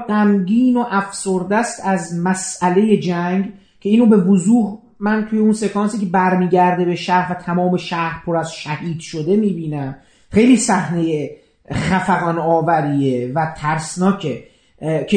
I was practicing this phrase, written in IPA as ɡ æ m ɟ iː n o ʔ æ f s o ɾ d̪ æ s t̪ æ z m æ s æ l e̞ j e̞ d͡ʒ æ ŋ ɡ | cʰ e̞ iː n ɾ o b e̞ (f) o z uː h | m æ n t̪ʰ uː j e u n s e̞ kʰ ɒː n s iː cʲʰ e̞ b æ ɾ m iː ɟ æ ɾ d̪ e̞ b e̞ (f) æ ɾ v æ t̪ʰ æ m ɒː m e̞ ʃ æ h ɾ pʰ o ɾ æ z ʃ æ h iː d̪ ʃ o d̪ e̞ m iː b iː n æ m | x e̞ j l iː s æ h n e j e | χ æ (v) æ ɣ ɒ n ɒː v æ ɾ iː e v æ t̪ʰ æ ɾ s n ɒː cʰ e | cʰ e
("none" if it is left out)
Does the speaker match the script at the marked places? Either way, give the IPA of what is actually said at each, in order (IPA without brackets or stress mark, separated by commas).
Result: v, ʃ, f